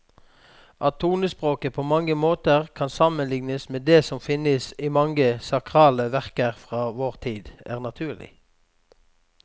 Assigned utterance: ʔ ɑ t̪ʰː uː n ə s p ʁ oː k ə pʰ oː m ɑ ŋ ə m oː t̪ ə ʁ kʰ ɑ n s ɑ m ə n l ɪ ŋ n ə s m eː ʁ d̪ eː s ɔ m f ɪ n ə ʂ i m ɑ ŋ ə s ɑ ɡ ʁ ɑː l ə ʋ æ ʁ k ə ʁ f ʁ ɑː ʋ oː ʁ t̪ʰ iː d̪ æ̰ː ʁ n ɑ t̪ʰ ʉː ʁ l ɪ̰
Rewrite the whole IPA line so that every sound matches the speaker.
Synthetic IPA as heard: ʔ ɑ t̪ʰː uː n ə s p ʁ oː k ə pʰ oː m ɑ ŋ ə m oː t̪ ə ʁ kʰ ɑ n s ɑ m ə n l ɪ ŋ n ə s m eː d̪ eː s ɔ m f ɪ n ə s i m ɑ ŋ ə s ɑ k ʁ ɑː l ə ʋ æ ʁ k ə ʁ f ʁ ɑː ʋ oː ʁ t̪ʰ iː d̪ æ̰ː ʁ n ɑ t̪ʰ ʉː ʁ l ɪ̰